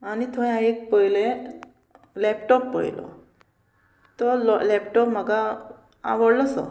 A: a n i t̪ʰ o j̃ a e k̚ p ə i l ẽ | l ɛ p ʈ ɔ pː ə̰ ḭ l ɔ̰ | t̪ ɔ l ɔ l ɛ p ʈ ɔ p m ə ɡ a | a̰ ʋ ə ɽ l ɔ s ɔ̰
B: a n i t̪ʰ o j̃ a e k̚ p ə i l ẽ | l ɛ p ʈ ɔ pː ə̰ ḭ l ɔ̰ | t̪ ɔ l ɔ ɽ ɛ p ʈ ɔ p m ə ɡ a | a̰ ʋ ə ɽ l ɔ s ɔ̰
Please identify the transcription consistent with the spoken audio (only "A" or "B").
A